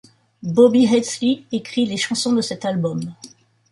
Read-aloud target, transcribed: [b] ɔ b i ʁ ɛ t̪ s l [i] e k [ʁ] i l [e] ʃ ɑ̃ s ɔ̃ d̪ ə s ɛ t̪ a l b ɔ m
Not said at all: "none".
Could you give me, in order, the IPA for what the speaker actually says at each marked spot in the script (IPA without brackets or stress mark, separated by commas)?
b, i, χ, e